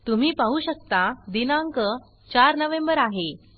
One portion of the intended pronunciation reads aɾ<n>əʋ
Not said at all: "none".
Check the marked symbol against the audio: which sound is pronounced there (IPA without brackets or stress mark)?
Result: n